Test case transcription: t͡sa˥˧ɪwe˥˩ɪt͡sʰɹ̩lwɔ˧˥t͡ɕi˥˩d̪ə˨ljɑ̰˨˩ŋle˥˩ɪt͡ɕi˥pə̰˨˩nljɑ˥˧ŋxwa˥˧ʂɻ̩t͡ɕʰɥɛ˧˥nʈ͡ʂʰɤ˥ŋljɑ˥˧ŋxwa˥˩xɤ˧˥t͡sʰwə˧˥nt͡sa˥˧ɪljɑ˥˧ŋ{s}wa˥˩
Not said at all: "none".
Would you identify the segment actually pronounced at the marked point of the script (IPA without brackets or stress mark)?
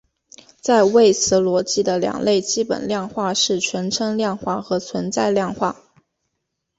x